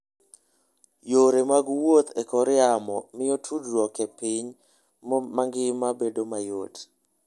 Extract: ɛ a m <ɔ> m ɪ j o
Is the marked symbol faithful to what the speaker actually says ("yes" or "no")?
yes